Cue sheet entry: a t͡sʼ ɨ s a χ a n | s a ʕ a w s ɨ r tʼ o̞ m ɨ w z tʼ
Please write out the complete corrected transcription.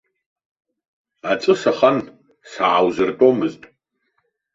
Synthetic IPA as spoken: a t͡sʼ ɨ s a χ a n | s a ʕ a w z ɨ r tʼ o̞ m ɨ z tʼ